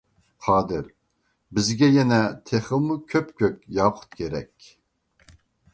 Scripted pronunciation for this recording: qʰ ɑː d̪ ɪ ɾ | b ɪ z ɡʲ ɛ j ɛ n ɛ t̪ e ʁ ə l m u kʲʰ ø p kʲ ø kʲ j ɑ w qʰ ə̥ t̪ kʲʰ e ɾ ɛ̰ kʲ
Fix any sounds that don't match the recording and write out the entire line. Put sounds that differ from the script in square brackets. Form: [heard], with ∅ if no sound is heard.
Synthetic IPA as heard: qʰ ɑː d̪ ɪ ɾ | b ɪ z ɡʲ ɛ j ɛ n ɛ [t̪ʰ] e [χ] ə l m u kʲʰ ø p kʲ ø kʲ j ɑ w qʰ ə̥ t̪ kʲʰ e ɾ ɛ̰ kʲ